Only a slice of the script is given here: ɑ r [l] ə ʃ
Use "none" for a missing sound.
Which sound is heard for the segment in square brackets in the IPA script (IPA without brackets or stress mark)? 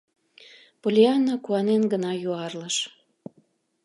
l